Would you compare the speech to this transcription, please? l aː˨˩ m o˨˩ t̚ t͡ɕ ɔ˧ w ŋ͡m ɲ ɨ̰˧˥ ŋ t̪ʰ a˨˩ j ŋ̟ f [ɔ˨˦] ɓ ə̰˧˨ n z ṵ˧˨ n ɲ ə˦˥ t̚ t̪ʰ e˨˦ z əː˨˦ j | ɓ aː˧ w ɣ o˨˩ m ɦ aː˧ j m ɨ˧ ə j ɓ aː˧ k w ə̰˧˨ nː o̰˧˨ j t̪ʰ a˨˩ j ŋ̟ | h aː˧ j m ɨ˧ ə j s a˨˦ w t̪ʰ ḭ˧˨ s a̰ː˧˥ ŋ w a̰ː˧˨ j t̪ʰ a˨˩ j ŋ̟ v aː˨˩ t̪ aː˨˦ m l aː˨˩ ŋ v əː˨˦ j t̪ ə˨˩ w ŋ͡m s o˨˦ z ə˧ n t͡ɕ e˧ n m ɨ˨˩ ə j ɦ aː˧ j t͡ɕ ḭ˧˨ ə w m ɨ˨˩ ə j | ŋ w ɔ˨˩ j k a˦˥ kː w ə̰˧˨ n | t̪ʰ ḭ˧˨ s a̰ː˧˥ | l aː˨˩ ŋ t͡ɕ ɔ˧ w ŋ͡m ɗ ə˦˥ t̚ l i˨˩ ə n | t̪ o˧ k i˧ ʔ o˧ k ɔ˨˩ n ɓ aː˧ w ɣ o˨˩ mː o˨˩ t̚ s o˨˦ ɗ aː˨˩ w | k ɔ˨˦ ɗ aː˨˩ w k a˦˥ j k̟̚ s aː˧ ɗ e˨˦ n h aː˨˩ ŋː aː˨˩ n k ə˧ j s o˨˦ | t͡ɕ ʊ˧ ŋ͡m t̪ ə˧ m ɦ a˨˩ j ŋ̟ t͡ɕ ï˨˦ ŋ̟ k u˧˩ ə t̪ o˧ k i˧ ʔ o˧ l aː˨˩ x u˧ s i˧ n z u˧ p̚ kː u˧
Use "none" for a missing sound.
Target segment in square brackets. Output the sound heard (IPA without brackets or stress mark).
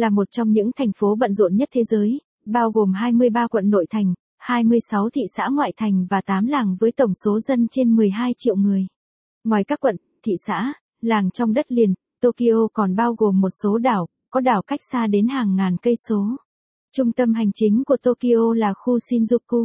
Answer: o˨˦